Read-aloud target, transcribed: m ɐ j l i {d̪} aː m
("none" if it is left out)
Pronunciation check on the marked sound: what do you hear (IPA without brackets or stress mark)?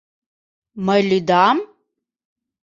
d̪